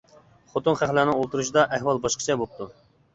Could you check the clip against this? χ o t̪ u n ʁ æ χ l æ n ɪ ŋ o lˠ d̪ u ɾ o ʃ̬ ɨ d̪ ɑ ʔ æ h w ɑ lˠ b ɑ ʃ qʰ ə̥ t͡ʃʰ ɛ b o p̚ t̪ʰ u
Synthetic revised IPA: χ o t̪ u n χ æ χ l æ n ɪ ŋ o lˠ t̪ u ɾ u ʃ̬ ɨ d̪ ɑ ʔ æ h w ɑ lˠ b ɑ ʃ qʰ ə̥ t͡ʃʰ ɛ b o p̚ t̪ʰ u